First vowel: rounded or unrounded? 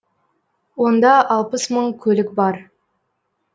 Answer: rounded